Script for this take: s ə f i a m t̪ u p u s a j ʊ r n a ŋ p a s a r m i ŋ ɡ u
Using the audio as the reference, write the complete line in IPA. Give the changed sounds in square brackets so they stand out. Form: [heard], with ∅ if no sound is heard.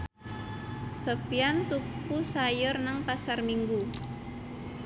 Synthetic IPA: s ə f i a [n] t̪ u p u s a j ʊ r n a ŋ p a s a r m i ŋ ɡ u